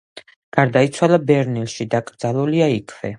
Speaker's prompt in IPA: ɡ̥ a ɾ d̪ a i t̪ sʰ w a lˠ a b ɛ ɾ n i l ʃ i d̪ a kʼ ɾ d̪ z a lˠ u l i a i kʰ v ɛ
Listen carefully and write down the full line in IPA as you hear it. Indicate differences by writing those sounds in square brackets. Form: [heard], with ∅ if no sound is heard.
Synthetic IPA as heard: ɡ̥ a ɾ d̪ a i t̪ sʰ w a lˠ a b ɛ ɾ n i l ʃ i d̪ a kʼ ɾ d̪ z a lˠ u l i a i kʰ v ɛ